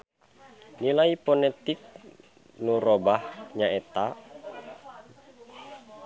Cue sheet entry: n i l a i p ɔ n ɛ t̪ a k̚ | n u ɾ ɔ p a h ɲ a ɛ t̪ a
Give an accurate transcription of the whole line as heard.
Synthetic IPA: n i l a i p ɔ n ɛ t̪ i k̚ | n u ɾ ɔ b a h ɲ a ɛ t̪ a